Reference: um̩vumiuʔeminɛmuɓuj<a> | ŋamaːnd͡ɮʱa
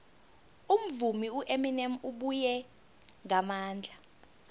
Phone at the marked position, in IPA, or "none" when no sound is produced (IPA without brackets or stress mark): ɛ